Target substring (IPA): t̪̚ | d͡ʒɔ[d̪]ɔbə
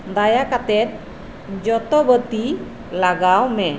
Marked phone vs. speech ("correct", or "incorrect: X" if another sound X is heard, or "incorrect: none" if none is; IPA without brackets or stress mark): incorrect: t̪